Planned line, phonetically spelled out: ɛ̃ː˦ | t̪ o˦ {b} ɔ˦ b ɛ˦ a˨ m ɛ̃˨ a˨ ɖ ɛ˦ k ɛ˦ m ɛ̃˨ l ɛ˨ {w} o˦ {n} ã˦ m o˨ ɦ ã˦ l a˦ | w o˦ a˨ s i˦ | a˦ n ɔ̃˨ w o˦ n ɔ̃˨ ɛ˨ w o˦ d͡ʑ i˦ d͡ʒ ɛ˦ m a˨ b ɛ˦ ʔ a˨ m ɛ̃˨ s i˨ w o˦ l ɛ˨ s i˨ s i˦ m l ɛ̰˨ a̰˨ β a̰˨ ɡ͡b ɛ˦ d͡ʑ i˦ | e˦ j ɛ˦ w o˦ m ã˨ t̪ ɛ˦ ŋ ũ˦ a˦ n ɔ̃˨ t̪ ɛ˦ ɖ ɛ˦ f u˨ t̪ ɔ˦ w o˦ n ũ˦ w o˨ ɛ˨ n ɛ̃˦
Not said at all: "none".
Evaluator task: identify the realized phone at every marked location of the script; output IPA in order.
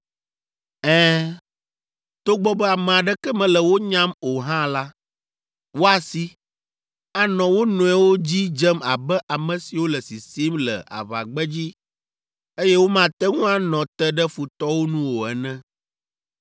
ɡ͡b, w, ɲ

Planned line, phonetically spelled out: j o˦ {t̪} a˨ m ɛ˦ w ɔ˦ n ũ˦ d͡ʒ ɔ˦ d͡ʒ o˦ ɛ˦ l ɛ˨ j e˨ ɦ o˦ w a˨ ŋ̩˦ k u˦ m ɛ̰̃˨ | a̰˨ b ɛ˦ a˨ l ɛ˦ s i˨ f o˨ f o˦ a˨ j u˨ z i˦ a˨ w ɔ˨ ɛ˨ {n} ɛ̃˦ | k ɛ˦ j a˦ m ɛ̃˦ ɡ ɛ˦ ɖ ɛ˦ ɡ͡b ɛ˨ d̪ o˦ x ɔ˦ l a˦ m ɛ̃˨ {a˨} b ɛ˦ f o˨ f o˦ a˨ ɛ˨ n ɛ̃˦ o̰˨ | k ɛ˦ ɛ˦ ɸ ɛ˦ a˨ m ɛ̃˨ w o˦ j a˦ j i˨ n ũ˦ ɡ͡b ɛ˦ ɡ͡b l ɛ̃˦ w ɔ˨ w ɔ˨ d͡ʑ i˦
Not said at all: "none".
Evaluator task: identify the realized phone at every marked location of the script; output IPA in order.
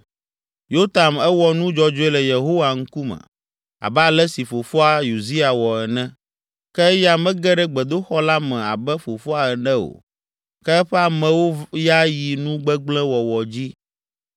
t̪, n, a˨

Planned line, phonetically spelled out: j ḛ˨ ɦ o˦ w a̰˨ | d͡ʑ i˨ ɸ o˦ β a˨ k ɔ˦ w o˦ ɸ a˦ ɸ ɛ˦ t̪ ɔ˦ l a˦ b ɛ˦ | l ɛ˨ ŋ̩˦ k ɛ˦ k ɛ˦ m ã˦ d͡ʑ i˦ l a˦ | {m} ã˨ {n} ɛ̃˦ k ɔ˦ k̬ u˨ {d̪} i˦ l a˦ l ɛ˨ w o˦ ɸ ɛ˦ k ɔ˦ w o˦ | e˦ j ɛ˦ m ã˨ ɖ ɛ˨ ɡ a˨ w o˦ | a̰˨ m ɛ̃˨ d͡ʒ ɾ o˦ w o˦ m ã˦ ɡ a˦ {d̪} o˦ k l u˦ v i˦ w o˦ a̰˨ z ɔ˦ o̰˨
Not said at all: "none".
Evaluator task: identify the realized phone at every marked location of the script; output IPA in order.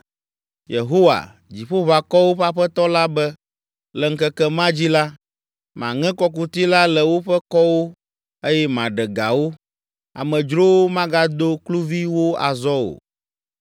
m, ŋ, t̪, d̪

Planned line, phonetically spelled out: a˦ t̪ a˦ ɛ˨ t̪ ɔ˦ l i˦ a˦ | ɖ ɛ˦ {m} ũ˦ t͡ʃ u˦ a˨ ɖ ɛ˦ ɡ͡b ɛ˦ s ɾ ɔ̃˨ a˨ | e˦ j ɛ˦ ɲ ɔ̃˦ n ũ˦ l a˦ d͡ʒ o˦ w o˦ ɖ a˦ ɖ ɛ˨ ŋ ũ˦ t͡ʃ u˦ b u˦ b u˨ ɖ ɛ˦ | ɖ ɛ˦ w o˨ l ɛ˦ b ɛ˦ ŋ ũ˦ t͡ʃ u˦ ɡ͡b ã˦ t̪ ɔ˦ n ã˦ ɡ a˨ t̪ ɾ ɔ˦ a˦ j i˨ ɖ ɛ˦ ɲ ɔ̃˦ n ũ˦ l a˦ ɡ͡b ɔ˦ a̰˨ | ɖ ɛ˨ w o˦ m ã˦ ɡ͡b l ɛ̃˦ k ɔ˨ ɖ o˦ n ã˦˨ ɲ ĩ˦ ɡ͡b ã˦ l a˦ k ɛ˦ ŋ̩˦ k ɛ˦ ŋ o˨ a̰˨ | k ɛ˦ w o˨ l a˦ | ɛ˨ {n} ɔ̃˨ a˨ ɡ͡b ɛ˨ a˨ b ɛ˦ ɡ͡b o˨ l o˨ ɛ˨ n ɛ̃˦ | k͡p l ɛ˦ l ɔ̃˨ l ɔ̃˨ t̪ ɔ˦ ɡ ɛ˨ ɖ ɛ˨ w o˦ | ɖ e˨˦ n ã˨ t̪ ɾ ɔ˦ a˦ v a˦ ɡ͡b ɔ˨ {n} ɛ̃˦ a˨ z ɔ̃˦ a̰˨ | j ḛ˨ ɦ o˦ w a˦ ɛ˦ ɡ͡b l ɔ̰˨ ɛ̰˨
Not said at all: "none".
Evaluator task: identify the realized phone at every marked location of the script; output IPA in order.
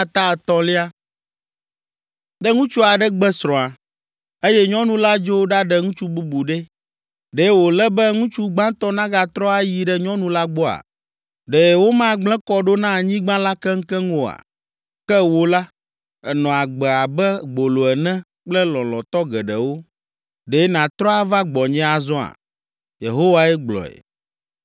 ŋ, n, ɲ

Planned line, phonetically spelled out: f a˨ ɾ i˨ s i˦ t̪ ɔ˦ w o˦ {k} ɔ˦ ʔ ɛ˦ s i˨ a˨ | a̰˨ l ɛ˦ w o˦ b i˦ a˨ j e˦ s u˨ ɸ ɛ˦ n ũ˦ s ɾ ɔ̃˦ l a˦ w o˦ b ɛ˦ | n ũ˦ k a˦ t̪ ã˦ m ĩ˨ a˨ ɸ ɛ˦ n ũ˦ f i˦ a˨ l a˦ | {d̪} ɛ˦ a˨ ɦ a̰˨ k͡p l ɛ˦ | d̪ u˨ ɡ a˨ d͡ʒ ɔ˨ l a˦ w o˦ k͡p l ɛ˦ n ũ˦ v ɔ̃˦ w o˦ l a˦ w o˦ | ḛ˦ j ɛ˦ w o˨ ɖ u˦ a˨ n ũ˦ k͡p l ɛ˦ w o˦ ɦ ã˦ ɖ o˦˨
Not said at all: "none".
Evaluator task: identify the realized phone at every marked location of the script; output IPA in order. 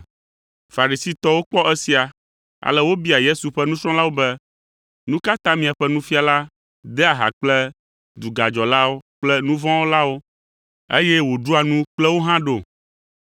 k͡p, d̪

